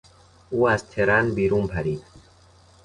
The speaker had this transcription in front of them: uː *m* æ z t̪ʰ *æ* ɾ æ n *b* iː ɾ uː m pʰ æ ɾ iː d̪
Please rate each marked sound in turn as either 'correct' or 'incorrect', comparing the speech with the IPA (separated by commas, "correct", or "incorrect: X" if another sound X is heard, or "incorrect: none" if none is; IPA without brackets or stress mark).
incorrect: none, incorrect: e, correct